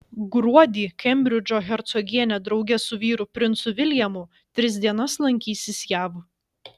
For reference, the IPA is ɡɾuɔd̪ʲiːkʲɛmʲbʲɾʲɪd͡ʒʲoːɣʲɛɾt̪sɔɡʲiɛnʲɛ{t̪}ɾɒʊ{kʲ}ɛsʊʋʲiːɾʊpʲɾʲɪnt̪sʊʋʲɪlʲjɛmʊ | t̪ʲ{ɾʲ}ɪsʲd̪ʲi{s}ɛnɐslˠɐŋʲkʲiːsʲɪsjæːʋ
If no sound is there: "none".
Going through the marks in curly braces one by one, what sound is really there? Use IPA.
d̪, ɡʲ, ɾʲ, none

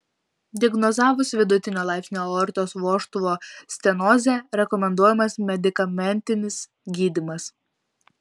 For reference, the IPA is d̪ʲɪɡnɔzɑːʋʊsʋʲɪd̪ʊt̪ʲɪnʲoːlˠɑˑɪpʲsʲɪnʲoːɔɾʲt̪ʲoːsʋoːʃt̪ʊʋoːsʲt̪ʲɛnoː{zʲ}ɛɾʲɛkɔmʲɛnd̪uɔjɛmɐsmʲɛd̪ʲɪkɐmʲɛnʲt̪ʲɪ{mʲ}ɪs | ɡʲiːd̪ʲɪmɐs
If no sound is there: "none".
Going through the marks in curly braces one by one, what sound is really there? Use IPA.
zʲ, nʲ

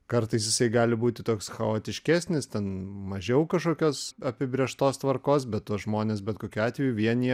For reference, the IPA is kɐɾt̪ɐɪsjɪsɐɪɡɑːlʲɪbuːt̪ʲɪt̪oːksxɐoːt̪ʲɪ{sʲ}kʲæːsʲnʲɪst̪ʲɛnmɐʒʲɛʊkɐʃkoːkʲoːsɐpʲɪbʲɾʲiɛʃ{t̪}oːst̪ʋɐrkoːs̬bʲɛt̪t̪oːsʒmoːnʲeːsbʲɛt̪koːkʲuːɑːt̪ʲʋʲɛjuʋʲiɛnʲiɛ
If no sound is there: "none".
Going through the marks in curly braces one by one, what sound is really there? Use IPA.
ʃʲ, t̪

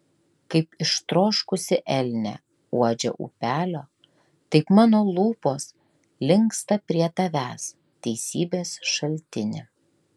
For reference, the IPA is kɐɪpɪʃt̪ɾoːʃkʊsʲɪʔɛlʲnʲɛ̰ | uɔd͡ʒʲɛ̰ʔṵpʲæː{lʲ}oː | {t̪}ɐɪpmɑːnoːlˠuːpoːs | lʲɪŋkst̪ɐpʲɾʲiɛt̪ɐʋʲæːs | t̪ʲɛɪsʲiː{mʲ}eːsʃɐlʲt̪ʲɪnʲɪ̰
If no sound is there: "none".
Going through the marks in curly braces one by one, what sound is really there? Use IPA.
lʲ, t̪, bʲ

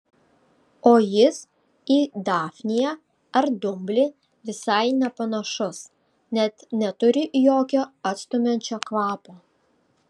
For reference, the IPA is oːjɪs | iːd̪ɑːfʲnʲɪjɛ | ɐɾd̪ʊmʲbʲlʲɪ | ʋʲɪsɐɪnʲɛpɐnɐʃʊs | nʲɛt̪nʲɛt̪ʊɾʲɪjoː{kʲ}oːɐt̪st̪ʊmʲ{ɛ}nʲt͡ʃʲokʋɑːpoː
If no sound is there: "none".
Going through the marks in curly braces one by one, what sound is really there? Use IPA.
kʲ, ɛ

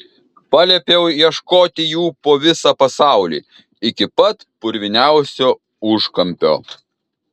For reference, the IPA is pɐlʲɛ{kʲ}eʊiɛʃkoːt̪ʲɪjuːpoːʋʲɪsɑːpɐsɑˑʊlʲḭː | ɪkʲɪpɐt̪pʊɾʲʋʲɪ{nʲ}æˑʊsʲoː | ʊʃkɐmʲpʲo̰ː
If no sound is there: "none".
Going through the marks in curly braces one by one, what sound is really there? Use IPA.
pʲ, nʲ

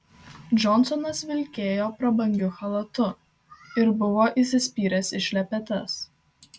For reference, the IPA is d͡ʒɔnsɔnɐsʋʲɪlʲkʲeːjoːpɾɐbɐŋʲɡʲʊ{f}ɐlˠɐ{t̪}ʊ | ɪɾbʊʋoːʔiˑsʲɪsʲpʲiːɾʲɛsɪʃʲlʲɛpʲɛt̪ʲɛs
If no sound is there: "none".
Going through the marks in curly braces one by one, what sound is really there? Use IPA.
x, t̪

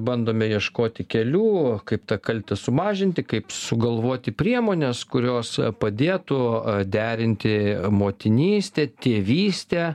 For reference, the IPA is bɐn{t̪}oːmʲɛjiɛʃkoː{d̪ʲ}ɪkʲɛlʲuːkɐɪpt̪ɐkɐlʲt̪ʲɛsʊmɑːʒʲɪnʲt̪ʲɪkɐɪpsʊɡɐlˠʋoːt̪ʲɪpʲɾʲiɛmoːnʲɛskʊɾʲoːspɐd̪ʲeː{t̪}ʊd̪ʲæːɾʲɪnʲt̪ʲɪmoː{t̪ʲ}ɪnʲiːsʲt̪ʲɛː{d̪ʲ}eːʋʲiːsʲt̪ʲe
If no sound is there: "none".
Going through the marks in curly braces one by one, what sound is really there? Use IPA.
d̪, t̪ʲ, t̪, t̪ʲ, t̪ʲ

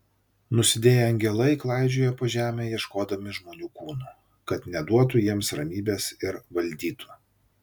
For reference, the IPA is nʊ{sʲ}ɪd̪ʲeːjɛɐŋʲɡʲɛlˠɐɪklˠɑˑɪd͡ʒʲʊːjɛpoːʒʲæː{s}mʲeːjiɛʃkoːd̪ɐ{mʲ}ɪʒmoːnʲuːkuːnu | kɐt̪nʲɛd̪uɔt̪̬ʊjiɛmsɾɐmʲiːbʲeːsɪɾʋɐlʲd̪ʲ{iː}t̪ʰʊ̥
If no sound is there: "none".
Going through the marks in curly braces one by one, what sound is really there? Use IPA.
sʲ, none, mʲ, iː

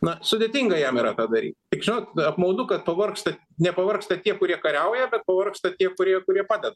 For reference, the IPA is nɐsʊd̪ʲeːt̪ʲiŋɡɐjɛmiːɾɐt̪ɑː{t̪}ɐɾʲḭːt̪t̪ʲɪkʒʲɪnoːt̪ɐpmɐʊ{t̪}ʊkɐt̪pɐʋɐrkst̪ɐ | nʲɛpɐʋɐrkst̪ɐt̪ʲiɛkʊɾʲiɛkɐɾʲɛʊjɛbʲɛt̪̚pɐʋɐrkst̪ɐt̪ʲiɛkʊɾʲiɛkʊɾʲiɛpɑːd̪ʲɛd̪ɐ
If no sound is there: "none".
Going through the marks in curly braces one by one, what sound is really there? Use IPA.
d̪, d̪

